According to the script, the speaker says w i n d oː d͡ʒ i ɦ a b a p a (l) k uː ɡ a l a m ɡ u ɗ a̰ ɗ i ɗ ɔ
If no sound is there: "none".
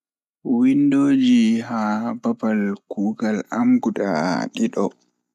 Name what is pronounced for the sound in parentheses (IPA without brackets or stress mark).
l